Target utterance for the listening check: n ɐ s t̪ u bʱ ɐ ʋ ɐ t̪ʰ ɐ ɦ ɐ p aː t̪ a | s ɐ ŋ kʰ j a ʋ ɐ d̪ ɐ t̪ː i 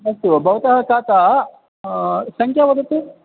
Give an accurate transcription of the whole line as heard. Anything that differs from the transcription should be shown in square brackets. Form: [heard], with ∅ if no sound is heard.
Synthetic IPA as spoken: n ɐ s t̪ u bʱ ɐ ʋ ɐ [t̪] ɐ ɦ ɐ [k] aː t̪ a | s ɐ ŋ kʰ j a ʋ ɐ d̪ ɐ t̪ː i

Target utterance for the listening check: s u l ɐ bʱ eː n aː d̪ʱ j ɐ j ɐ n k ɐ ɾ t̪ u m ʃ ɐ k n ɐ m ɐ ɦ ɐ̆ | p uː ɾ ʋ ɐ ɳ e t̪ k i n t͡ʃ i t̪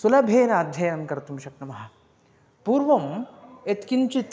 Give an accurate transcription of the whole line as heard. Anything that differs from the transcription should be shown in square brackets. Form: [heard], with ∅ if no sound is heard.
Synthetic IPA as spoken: s u l ɐ bʱ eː n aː d̪ʱ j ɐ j ɐ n k ɐ ɾ t̪ u m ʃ ɐ k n ɐ m ɐ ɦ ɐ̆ | p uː ɾ ʋ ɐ [m] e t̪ k i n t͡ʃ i t̪

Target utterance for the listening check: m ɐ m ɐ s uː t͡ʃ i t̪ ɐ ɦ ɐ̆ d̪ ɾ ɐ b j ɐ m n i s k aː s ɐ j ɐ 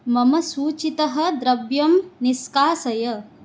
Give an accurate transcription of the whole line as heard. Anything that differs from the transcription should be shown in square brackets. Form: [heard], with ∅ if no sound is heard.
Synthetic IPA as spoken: m ɐ m ɐ s uː t͡ʃ i t̪ ɐ ɦ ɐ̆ d̪ ɾ ɐ b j ɐ m n i s k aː s ɐ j ɐ

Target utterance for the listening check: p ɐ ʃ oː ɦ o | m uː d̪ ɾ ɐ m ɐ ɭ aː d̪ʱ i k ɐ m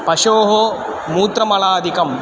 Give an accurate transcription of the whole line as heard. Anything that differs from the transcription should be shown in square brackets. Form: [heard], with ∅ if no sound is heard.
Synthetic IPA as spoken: p ɐ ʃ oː ɦ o | m uː [t̪] ɾ ɐ m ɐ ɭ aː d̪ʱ i k ɐ m

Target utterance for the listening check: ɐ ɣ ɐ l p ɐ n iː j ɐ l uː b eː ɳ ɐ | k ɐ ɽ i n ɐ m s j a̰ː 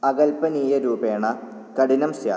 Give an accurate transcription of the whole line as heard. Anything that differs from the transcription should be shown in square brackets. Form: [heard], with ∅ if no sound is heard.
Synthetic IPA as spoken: ɐ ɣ ɐ l p ɐ n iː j ɐ [ɾ] uː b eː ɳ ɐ | k ɐ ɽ i n ɐ m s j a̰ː

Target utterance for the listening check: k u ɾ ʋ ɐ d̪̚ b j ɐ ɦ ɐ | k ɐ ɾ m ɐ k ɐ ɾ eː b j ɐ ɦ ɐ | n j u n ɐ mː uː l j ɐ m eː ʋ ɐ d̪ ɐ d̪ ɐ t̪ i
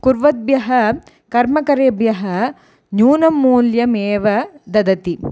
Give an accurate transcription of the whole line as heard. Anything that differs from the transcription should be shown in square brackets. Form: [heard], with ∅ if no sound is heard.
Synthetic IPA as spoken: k u ɾ ʋ ɐ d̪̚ b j ɐ ɦ ɐ | k ɐ ɾ m ɐ k ɐ ɾ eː b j ɐ ɦ ɐ | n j [uː] n ɐ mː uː l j ɐ m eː ʋ ɐ d̪ ɐ d̪ ɐ t̪ i

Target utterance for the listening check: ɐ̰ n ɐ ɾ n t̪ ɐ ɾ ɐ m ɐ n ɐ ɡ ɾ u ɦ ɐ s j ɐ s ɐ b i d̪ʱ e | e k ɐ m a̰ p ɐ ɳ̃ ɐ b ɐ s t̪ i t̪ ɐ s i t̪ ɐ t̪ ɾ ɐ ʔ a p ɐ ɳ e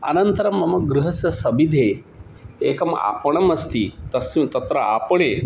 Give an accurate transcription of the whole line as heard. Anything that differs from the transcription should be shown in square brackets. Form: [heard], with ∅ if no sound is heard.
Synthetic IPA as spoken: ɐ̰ n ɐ [∅] n t̪ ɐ ɾ ɐ m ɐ [m] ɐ ɡ ɾ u ɦ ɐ s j ɐ s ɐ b i d̪ʱ e | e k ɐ m a̰ p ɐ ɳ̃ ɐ [m] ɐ s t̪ i t̪ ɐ s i t̪ ɐ t̪ ɾ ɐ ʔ a p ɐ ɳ e

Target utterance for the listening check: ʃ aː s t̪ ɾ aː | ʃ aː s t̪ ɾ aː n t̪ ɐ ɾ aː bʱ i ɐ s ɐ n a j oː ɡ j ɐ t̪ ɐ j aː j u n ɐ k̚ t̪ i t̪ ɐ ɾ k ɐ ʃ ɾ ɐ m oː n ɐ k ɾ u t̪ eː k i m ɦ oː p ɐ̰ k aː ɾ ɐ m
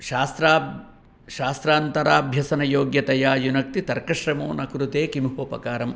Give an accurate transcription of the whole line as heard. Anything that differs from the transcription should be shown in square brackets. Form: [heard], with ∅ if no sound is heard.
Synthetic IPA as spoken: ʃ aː s t̪ ɾ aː | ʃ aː s t̪ ɾ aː n t̪ ɐ ɾ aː bʱ [j] ɐ s ɐ n [ɐ] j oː ɡ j ɐ t̪ ɐ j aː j u n ɐ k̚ t̪ i t̪ ɐ ɾ k ɐ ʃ ɾ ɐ m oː n ɐ k ɾ u t̪ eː k i m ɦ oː p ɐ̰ k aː ɾ ɐ m

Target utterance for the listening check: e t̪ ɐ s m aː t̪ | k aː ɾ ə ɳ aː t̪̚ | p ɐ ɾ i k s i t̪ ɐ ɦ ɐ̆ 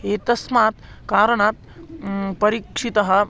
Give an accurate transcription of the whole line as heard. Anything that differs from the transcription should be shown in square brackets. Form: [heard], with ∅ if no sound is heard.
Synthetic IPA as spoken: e t̪ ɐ s m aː t̪ | k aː ɾ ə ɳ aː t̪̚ | p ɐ ɾ i k [ʂ] i t̪ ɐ ɦ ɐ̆

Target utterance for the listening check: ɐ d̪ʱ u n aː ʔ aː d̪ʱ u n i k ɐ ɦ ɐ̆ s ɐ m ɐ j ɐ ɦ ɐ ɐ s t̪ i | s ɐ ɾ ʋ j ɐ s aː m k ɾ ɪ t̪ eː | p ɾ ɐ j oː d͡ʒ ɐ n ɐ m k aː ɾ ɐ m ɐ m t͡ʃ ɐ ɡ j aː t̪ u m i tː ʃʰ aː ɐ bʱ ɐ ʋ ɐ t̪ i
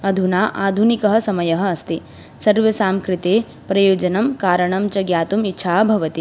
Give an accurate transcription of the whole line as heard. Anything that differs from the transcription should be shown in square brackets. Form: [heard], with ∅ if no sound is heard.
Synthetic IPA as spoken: ɐ d̪ʱ u n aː ʔ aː d̪ʱ u n i k ɐ ɦ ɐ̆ s ɐ m ɐ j ɐ ɦ ɐ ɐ s t̪ i | s ɐ ɾ ʋ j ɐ s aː m k ɾ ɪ t̪ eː | p ɾ ɐ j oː d͡ʒ ɐ n ɐ m k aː ɾ ɐ [ɳ] ɐ m t͡ʃ ɐ ɡ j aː t̪ u m i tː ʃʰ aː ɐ bʱ ɐ ʋ ɐ t̪ i

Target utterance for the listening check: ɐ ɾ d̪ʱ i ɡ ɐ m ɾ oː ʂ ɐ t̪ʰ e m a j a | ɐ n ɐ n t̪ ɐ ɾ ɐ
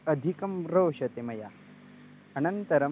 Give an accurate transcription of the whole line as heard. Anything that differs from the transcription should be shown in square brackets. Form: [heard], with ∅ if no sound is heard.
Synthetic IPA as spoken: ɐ [∅] d̪ʱ i [k] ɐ m ɾ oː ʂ ɐ [t̪] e m [ɐ] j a | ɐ n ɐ n t̪ ɐ ɾ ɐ

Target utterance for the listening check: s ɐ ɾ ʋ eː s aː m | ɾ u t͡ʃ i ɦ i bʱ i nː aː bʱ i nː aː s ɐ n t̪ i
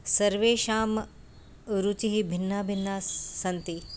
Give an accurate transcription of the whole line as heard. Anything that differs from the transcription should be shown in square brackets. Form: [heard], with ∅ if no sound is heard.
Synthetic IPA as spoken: s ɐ ɾ ʋ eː [ʃ] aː m | ɾ u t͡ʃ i ɦ i bʱ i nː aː bʱ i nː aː s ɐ n t̪ i

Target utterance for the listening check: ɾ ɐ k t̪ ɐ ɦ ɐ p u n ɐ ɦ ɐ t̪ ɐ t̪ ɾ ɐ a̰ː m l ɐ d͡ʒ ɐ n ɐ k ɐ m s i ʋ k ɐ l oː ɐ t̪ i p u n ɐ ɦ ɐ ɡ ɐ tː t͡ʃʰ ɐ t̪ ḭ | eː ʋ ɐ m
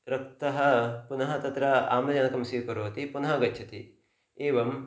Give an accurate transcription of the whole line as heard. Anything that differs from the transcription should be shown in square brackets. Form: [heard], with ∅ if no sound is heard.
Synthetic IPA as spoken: ɾ ɐ k t̪ ɐ ɦ ɐ p u n ɐ ɦ ɐ t̪ ɐ t̪ ɾ ɐ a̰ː m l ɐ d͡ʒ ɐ n ɐ k ɐ m s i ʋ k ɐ [ɾ] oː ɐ t̪ i p u n ɐ ɦ ɐ ɡ ɐ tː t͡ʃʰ ɐ t̪ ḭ | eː ʋ ɐ m

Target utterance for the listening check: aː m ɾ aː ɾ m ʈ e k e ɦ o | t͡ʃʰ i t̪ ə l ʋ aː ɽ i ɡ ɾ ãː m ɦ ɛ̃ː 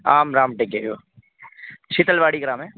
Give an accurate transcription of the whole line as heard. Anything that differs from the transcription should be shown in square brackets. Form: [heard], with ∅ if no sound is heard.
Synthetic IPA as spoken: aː m ɾ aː [∅] m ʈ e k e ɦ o | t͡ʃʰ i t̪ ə l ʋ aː ɽ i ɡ ɾ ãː m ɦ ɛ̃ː

